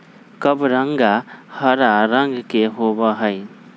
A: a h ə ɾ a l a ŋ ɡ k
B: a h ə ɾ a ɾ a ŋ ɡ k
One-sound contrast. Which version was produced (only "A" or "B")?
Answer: B